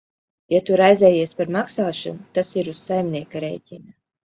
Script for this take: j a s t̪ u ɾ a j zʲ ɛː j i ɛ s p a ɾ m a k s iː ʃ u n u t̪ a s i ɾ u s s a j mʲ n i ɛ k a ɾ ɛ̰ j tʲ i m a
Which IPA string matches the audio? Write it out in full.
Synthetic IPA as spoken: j a t̪ u ɾ a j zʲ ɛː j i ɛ s p a ɾ m a k s aː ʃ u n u t̪ a s i ɾ u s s a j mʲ n i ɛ k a ɾ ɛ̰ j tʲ i n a

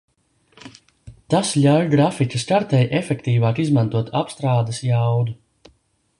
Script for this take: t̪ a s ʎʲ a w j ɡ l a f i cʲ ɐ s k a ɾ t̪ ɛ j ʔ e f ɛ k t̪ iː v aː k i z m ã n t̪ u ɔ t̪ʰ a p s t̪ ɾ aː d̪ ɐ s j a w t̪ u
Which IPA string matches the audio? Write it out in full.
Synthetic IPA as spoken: t̪ a s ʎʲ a w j ɡ ɾ a f i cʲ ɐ s k a ɾ t̪ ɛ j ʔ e f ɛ k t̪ iː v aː k i z m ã n t̪ u ɔ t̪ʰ a p s t̪ ɾ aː d̪ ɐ s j a w d̪ u

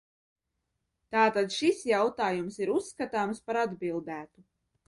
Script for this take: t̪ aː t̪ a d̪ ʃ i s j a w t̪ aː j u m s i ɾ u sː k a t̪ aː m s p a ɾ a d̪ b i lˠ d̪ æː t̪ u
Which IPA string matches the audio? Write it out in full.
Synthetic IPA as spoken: t̪ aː t̪ a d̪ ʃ i s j a w t̪ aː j u m s i ɾ u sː k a t̪ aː m s p a ɾ a d̪ b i lˠ d̪ æː t̪ u

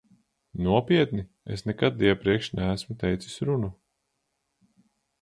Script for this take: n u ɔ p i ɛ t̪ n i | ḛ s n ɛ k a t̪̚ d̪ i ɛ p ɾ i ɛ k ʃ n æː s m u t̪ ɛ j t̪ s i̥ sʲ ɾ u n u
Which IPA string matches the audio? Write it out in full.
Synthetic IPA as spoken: n u ɔ p i ɛ t̪ n i | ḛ s n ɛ k a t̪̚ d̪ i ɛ p ɾ i ɛ k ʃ n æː s m u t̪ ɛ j t̪ s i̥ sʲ ɾ u n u

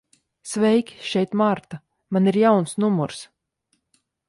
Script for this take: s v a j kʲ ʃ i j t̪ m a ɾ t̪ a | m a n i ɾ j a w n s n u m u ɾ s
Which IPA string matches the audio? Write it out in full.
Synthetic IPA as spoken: s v ɛ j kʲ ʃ ɛ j t̪ m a ɾ t̪ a | m a n i ɾ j a w n s n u m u ɾ s

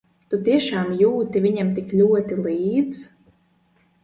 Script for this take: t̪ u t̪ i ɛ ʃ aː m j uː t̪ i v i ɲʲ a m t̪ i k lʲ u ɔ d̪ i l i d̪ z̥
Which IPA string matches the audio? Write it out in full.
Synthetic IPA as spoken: t̪ u t̪ i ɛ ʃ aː m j uː t̪ i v i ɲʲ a m t̪ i k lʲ u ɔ t̪ i l iː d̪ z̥

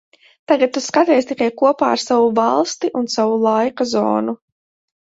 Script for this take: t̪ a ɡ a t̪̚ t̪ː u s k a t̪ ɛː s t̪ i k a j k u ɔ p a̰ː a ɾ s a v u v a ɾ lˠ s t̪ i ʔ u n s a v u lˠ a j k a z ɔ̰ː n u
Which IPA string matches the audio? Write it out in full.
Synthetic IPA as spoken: t̪ a ɡ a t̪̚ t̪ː u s k a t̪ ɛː s t̪ i k a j k u ɔ p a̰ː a ɾ s a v u v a lˠ s t̪ i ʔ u n s a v u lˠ a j k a z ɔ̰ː n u

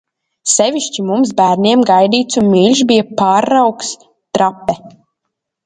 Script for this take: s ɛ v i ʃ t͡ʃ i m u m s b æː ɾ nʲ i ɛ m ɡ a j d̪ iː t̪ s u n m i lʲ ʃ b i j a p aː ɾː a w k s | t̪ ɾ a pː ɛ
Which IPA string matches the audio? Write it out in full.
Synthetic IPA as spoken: s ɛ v i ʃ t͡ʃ i m u m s b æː ɾ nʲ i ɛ m ɡ a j d̪ iː t̪ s u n m i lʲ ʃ b i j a p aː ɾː a w k s | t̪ ɾ a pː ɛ

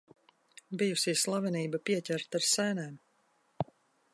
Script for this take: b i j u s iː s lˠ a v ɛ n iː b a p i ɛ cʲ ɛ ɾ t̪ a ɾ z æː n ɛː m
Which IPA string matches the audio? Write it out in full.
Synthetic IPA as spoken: b i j u s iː s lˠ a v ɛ n iː b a p i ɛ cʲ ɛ ɾ t̪ a ɾ s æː n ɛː m

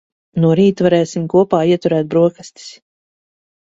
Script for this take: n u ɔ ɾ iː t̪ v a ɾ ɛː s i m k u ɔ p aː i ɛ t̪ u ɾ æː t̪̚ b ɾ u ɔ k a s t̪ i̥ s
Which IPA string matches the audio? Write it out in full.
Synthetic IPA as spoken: n u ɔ ɾ iː t̪ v a ɾ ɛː s i m k u ɔ p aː i ɛ t̪ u ɾ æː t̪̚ b ɾ u ɔ k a s t̪ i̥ s

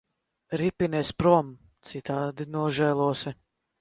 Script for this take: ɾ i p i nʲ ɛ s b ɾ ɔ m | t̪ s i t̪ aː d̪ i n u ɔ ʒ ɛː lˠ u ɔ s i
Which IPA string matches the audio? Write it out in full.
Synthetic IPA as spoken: ɾ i p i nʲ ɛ s p ɾ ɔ m | t̪ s i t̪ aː d̪ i n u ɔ ʒ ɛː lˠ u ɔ s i

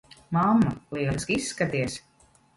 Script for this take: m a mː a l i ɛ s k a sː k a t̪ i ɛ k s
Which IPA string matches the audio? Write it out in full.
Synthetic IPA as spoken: m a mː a l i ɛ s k i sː k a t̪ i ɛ s

